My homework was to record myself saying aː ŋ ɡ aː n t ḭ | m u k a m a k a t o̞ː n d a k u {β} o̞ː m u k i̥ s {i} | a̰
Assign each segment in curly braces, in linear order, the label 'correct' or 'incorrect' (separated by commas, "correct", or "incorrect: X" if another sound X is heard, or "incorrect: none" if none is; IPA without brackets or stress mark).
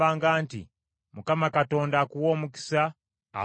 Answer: incorrect: w, incorrect: a